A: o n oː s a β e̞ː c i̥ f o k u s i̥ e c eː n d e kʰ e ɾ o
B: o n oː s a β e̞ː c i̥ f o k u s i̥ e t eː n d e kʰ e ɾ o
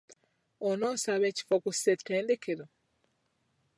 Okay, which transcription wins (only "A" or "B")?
B